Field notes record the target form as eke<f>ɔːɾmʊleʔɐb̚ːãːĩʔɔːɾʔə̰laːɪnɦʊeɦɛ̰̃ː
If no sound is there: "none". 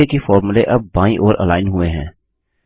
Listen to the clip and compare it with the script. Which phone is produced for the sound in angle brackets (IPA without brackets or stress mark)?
f